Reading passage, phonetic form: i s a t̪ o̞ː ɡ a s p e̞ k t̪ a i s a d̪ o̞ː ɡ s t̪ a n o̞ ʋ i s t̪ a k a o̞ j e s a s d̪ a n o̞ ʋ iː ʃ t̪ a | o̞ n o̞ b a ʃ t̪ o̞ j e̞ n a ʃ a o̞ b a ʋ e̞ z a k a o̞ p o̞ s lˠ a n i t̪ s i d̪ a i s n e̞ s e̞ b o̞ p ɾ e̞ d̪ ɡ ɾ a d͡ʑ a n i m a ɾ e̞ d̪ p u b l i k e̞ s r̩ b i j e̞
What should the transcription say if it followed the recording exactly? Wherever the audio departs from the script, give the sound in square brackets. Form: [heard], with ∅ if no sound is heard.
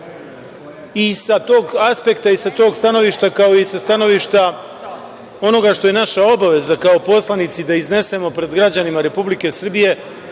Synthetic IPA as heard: i s a t̪ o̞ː ɡ a s p e̞ k t̪ a i s a [t̪] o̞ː ɡ s t̪ a n o̞ ʋ i [ʃ] t̪ a k a o̞ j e s a s [t̪] a n o̞ ʋ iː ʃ t̪ a | o̞ n o̞ [ɡ] a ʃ t̪ o̞ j e̞ n a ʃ a o̞ b a ʋ e̞ z a k a o̞ p o̞ s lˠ a n i t̪ s i d̪ a i [z] n e̞ s e̞ [m] o̞ p ɾ e̞ d̪ ɡ ɾ a d͡ʑ a n i m a ɾ e̞ [∅] p u b l i k e̞ s r̩ b i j e̞

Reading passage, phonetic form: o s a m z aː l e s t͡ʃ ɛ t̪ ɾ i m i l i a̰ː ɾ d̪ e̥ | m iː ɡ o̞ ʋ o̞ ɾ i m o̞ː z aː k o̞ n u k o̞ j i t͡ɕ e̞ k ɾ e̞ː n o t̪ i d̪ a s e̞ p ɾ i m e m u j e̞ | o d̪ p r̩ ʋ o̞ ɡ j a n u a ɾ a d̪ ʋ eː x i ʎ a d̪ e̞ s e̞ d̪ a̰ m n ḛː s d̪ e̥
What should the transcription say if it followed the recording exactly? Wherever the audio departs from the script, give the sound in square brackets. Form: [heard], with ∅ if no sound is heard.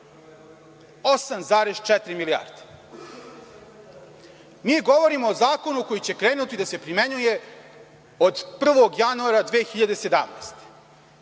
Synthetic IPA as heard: o s a m z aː [ɾ] e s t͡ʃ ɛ t̪ ɾ i m i l i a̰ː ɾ d̪ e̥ | m iː ɡ o̞ ʋ o̞ ɾ i m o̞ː z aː k o̞ n u k o̞ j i t͡ɕ e̞ k ɾ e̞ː n [u] t̪ i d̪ a s e̞ p ɾ i m e [ɲ] u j e̞ | o d̪ p r̩ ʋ o̞ ɡ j a n u a ɾ a d̪ ʋ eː x i ʎ a d̪ e̞ s e̞ d̪ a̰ m n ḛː s [t̪] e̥

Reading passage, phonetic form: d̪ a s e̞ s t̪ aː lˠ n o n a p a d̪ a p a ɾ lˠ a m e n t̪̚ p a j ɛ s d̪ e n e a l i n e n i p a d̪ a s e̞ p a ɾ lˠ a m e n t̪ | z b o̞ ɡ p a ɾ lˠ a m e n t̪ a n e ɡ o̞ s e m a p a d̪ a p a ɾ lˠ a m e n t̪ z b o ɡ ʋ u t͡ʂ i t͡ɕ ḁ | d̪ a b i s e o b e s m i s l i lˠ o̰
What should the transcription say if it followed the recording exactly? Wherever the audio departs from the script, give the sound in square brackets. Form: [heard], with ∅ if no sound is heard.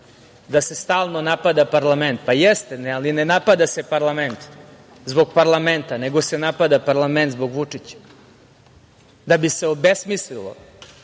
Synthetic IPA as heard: d̪ a s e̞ s t̪ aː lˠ n o n a p a d̪ a p a ɾ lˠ a m e n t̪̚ p a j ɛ s [t̪] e n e a l i n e n [a] p a d̪ a s e̞ p a ɾ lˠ a m e n t̪ | z b o̞ ɡ p a ɾ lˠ a m e n t̪ a n e ɡ o̞ s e [n] a p a d̪ a p a ɾ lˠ a m e n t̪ z b o ɡ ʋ u t͡ʂ i t͡ɕ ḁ | d̪ a b i s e o b e s m i s l i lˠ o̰

